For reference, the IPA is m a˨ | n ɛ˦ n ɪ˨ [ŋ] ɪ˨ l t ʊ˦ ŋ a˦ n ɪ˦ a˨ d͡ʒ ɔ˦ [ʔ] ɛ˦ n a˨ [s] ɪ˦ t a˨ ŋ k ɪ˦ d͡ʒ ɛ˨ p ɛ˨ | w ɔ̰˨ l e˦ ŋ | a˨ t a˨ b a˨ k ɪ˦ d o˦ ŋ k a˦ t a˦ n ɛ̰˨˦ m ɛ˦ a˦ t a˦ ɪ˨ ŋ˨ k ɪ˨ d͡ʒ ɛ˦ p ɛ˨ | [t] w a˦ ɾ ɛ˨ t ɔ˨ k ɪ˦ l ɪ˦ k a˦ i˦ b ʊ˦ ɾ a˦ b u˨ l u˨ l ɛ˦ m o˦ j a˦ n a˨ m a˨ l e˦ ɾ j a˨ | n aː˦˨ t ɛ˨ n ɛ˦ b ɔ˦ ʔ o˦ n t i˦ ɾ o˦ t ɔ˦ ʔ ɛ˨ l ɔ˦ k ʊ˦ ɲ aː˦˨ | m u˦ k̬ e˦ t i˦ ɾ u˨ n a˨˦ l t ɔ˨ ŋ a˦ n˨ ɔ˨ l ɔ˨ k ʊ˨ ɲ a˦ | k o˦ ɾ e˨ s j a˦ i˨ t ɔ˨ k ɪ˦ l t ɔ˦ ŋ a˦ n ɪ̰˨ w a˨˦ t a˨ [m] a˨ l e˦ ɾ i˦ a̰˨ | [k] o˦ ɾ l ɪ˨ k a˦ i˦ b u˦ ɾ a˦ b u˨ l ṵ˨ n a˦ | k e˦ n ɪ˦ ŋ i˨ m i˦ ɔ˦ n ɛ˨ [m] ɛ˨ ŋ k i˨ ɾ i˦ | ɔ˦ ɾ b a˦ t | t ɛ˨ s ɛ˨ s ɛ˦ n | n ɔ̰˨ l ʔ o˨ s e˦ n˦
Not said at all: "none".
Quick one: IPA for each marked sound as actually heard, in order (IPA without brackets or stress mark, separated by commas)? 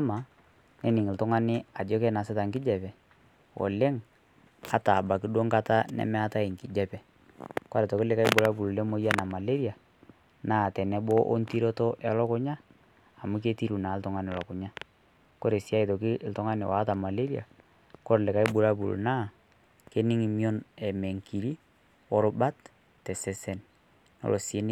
ŋ, k, s, k, m, k, m